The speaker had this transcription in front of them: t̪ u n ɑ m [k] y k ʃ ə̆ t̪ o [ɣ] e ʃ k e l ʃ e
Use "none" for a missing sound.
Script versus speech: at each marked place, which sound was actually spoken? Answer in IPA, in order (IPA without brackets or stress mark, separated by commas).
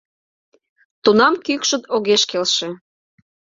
k, ɣ